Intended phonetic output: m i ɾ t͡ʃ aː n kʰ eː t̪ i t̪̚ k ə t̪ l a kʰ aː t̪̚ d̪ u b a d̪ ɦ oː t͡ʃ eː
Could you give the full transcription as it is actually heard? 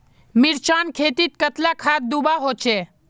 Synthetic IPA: m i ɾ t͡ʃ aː n kʰ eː t̪ i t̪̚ k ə t̪ l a kʰ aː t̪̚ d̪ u b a ɦ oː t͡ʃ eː